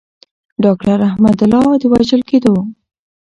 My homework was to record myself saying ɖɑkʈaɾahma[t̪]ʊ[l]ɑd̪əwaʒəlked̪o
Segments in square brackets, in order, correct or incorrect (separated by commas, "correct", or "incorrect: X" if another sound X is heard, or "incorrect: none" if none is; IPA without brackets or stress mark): incorrect: d̪, correct